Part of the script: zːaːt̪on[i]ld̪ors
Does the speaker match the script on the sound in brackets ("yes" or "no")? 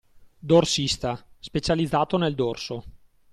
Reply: no